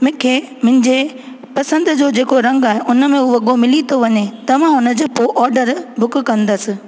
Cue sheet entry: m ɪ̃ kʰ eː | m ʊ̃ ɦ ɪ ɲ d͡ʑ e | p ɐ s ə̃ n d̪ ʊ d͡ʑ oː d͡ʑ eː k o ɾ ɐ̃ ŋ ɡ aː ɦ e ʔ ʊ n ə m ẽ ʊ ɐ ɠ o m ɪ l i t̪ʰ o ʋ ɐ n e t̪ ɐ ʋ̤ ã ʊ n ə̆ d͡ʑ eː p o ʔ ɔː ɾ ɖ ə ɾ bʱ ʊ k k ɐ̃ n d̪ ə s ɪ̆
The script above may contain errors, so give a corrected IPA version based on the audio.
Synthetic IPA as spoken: m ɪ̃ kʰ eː | m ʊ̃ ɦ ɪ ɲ d͡ʑ e | p ɐ s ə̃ n d̪ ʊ d͡ʑ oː d͡ʑ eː k o ɾ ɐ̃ ŋ ɡ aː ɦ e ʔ ʊ n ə m ẽ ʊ ɐ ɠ o m ɪ l i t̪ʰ o ʋ ɐ ɲ e t̪ ɐ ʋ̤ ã ʊ n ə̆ d͡ʑ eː p o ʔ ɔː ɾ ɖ ə ɾ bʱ ʊ k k ɐ̃ n d̪ ə s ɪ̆